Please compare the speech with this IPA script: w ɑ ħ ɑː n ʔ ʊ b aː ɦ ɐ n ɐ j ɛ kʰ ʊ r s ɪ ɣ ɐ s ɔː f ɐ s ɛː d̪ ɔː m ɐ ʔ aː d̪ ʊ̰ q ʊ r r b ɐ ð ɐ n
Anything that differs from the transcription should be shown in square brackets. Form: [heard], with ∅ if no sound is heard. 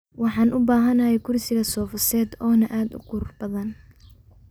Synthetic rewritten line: w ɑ ħ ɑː n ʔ ʊ b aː ɦ ɐ n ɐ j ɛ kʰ ʊ r s ɪ ɣ ɐ s ɔː f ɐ s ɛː d̪ ɔː [n] ɐ ʔ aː d̪ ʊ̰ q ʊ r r b ɐ ð ɐ n